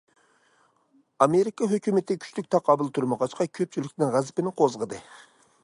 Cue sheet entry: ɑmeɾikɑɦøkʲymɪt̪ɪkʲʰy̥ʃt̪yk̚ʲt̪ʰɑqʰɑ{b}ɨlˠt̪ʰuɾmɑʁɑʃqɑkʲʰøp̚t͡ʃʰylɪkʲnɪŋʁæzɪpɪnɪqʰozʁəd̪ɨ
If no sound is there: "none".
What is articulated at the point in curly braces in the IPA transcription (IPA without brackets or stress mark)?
b